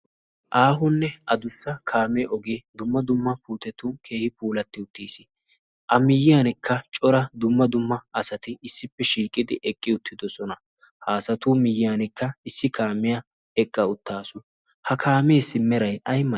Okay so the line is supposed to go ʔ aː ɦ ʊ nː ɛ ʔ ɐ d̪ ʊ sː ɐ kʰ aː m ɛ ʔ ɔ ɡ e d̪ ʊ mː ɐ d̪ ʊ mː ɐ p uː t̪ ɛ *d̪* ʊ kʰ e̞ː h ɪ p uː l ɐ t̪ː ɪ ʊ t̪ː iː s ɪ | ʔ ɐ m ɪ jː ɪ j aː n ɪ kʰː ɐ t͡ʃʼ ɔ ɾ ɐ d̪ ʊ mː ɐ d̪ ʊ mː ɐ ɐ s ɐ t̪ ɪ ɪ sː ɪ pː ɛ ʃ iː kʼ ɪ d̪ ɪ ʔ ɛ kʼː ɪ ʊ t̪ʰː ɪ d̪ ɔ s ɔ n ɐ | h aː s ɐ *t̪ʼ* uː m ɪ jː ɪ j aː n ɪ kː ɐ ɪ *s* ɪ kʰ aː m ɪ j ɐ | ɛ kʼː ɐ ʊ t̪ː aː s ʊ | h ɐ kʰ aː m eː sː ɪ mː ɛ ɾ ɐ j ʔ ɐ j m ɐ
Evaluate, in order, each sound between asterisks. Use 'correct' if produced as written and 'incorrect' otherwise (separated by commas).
incorrect, incorrect, incorrect